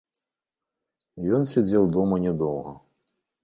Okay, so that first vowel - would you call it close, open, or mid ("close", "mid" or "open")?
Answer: mid